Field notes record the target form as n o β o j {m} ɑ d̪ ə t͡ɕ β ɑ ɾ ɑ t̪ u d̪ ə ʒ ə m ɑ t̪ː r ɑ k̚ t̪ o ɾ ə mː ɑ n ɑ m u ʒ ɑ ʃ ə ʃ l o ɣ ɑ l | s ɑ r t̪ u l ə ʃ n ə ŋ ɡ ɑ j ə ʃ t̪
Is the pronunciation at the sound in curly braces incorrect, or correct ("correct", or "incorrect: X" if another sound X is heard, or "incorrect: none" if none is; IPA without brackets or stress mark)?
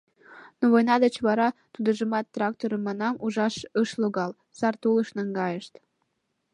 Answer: incorrect: n